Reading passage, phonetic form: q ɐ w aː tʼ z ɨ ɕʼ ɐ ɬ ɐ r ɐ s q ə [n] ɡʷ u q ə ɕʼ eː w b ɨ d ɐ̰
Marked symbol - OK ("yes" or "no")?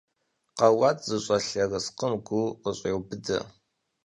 no